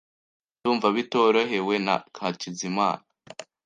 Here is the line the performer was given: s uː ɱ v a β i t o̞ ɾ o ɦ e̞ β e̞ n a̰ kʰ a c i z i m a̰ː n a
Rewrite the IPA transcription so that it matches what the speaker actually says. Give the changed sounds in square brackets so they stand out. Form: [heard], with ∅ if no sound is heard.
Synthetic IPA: [t] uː ɱ v a β i t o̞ ɾ o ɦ e̞ [w] e̞ n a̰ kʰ a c i z i m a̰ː n a